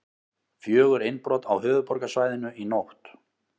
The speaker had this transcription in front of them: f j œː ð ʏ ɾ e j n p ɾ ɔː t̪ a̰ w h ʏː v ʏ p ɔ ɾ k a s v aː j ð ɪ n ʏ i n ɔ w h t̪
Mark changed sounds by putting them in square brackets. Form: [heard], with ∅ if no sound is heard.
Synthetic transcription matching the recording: f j œː [ɣ] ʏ ɾ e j n p ɾ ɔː t̪ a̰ w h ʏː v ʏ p ɔ ɾ k a s v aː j ð ɪ n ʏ i n [o] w h t̪